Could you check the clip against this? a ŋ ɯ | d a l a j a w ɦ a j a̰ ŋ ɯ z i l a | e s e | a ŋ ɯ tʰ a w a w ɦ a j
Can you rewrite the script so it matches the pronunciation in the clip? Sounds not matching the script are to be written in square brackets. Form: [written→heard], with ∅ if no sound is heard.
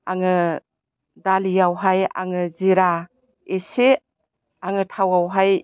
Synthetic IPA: a ŋ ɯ | d a l [a→i] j a w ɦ a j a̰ ŋ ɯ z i [l→ɾ] a | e s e | a ŋ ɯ tʰ a w a w ɦ a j